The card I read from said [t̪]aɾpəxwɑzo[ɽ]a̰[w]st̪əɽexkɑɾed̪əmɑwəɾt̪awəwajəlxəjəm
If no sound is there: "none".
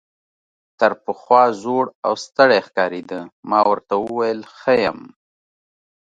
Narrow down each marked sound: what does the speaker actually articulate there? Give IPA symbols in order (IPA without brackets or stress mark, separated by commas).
t̪, ɽ, w